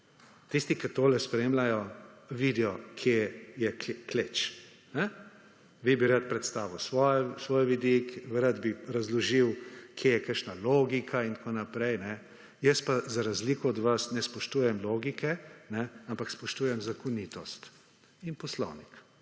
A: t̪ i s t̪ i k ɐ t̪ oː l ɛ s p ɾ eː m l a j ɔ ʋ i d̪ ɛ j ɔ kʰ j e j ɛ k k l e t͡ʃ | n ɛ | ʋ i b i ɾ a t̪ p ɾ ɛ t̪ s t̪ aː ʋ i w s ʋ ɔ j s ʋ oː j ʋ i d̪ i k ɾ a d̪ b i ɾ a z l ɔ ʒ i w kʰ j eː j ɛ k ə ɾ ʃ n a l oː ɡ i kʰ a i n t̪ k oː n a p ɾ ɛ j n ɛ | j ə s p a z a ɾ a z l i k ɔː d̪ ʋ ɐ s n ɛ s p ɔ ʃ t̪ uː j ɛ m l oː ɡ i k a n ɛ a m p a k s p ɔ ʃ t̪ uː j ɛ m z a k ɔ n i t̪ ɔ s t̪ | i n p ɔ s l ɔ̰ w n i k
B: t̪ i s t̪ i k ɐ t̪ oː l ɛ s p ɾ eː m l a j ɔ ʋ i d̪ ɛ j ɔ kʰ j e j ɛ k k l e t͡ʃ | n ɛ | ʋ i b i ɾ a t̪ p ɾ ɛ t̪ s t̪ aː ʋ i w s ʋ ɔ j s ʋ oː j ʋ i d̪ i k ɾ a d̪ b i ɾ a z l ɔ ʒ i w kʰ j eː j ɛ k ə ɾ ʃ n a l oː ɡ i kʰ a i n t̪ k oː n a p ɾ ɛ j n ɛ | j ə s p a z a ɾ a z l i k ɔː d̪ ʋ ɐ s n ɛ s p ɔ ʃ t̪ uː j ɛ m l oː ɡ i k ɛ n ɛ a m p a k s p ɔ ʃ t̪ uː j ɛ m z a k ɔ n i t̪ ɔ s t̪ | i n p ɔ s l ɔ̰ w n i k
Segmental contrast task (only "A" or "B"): B